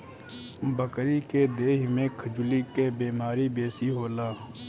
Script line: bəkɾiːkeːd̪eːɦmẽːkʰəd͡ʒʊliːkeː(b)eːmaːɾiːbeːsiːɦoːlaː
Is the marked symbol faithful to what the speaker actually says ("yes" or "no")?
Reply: yes